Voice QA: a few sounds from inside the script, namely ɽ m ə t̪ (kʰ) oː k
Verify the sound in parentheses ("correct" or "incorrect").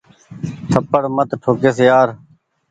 incorrect